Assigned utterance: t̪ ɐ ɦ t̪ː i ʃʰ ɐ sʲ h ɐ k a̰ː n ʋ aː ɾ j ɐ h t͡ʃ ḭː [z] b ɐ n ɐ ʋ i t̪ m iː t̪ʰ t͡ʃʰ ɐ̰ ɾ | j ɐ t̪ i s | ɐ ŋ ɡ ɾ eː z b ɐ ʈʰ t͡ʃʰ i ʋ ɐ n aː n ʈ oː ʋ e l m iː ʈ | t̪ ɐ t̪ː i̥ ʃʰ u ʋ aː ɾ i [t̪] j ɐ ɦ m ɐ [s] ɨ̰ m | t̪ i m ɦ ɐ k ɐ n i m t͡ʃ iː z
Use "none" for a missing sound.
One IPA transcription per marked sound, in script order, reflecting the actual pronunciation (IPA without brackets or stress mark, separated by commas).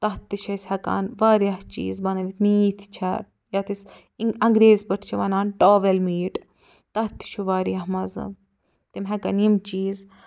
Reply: z, none, z